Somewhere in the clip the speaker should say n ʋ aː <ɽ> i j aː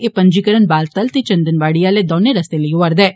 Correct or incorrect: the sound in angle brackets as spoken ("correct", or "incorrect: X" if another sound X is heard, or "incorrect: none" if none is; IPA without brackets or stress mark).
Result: correct